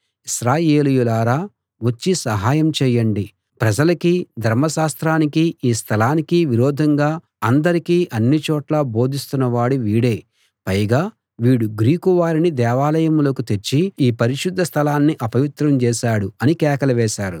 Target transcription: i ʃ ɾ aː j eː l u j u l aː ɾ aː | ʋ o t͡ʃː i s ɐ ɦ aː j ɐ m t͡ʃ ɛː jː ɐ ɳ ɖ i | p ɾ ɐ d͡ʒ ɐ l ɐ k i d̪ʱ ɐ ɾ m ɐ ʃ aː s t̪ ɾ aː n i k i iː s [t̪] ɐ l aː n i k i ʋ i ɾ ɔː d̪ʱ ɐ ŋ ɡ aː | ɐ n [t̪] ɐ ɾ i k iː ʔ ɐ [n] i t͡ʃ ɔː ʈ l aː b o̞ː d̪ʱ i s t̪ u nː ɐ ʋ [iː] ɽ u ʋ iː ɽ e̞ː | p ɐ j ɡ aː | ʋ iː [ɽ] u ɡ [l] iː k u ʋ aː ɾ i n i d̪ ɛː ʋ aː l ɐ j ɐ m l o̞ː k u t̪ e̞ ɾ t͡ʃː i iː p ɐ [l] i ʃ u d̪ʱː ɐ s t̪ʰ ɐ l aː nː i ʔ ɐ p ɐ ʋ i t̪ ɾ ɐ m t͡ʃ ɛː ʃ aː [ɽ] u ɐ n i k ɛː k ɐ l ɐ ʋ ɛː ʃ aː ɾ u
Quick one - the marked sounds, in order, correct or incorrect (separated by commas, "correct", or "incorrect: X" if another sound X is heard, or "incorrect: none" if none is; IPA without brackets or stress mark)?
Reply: incorrect: t̪ʰ, incorrect: d̪, incorrect: nː, incorrect: aː, correct, incorrect: ɾ, incorrect: ɾ, correct